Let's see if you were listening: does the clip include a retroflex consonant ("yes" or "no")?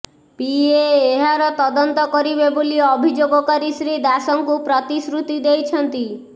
no